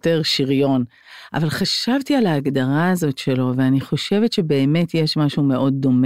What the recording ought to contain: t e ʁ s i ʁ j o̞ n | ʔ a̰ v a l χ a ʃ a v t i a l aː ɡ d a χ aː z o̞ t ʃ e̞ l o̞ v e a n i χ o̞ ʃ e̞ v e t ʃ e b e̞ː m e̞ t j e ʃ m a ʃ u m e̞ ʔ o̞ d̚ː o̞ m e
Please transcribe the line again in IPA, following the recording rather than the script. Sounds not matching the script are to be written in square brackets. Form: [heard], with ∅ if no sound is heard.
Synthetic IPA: t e ʁ [ʃ] i ʁ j o̞ n | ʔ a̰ v a l χ a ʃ a v t i a l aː ɡ d a [ʁ] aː z o̞ t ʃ e̞ l o̞ v e a n i χ o̞ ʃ e̞ v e t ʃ e b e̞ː m e̞ t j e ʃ m a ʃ u m e̞ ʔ o̞ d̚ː o̞ m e